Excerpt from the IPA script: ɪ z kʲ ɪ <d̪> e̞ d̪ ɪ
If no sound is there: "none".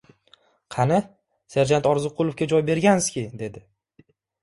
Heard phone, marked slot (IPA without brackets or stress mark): d̪